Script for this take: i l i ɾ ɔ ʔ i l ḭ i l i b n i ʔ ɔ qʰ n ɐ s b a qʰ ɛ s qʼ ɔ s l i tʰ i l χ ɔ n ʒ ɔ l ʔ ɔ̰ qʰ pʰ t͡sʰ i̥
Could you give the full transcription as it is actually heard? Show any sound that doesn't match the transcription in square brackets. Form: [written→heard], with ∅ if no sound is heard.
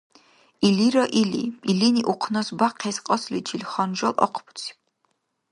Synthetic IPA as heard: i l i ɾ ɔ ʔ i l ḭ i l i [b→∅] n i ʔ [ɔ→u] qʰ n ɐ s b a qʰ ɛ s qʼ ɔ s l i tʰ i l χ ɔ n ʒ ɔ l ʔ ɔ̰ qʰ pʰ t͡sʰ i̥

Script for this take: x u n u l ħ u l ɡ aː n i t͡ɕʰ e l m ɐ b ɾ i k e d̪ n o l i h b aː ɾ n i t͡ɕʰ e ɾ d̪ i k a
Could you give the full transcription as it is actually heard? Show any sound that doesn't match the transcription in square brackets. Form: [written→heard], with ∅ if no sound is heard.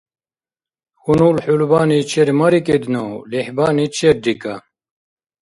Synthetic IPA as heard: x u n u l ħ u l [ɡ→b] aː n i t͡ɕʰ e [l→ɾ] m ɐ [b→∅] ɾ i k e d̪ n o l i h b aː [ɾ→∅] n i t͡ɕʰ e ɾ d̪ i k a

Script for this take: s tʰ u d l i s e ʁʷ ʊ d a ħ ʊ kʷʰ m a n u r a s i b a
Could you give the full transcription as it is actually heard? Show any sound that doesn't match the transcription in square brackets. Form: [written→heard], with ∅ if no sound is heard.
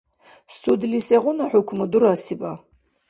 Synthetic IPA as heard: s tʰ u d l i s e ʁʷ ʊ [d→n] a ħ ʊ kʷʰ m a [n→d] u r a s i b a

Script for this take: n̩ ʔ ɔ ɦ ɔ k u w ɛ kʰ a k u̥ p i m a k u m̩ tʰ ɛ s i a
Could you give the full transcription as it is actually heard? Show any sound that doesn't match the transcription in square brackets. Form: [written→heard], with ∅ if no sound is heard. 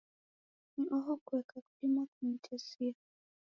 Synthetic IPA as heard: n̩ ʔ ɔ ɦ ɔ k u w ɛ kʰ a k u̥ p i m a k u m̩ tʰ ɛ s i a

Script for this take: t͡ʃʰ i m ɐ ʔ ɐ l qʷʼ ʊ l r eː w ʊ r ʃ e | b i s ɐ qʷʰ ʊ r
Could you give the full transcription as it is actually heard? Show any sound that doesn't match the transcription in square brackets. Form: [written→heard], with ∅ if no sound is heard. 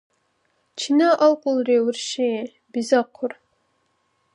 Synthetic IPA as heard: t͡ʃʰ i [m→n] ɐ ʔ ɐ l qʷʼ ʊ l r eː w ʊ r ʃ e | b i [s→z] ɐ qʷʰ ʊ r

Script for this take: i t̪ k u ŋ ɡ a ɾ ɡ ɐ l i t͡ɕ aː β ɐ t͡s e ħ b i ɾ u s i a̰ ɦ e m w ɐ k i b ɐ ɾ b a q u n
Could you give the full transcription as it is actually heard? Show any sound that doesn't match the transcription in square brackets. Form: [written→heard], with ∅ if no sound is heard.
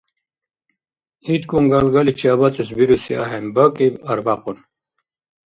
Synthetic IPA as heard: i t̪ k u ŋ ɡ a [ɾ→l] ɡ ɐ l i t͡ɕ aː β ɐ t͡s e [ħ→s] b i ɾ u s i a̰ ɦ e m [w→b] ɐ k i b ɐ ɾ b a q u n

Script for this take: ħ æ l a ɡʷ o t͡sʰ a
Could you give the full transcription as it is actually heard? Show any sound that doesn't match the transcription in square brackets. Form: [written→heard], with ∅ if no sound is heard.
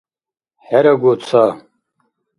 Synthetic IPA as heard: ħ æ [l→ɾ] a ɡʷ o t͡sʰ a

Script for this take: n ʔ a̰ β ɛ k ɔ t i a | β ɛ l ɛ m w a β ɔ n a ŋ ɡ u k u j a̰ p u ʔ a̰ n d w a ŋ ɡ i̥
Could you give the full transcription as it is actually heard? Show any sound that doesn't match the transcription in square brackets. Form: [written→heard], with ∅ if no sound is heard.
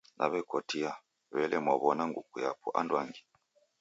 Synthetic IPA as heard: n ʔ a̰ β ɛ k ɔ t i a | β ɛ l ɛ m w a β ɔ n a ŋ ɡ u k u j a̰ p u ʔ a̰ n d w a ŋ ɡ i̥

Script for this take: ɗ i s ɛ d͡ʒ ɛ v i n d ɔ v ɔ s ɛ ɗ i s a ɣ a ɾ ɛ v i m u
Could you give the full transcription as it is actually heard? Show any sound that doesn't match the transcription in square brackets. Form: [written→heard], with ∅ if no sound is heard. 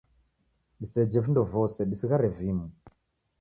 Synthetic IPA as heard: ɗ i s ɛ d͡ʒ ɛ v i n d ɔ v ɔ s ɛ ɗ i s [a→i] ɣ a ɾ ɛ v i m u

